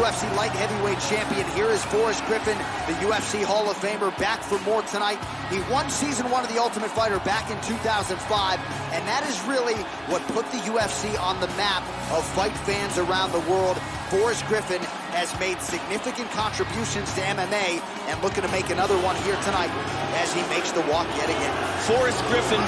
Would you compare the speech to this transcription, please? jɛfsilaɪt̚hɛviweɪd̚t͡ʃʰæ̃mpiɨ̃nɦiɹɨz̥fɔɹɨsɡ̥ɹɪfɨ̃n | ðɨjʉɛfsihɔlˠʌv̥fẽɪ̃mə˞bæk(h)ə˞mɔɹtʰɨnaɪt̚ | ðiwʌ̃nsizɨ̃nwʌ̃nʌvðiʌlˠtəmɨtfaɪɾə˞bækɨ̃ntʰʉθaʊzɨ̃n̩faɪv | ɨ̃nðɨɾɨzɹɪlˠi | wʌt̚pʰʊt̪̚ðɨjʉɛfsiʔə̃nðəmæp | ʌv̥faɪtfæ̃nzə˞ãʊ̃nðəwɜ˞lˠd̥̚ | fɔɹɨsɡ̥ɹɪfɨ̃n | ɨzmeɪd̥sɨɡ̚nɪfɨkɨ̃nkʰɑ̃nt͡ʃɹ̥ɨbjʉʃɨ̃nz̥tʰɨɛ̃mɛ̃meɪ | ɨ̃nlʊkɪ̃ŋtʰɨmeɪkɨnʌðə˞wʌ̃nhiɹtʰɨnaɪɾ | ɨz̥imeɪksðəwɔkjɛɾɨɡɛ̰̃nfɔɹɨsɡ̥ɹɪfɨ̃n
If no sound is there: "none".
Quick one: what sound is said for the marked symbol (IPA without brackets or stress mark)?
f